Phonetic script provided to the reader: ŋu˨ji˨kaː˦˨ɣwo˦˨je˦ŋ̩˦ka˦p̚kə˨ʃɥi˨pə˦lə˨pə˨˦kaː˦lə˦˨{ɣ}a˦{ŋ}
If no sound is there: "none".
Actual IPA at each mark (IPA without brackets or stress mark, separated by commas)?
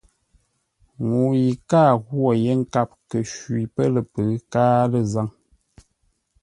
z, ŋ